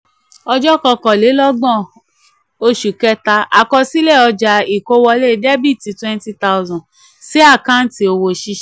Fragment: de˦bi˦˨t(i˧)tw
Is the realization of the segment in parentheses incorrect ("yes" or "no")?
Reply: no